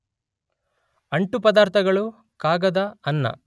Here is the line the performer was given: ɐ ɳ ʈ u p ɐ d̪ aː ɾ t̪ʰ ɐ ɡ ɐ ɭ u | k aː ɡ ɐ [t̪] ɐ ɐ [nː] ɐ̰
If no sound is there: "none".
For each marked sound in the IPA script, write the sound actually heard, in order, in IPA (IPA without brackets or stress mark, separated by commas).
d̪, nː